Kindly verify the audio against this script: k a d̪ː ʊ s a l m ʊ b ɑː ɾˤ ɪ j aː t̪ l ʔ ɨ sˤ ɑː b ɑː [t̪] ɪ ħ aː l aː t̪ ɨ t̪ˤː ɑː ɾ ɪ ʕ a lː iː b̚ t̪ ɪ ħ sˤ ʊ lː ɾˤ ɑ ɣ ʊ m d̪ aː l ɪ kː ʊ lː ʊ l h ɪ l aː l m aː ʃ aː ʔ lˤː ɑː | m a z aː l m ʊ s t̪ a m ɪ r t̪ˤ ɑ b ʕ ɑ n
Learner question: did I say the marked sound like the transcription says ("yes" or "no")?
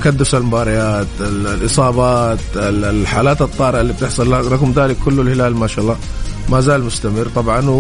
yes